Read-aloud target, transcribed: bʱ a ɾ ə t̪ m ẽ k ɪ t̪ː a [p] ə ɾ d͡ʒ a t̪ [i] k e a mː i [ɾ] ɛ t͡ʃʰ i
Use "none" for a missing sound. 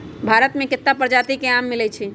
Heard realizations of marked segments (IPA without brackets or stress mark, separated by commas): p, i, l